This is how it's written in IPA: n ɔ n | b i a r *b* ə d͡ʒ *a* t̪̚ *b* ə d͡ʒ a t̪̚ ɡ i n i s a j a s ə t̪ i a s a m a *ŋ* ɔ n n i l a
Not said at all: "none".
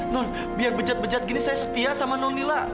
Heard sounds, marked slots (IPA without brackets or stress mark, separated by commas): b, a, b, n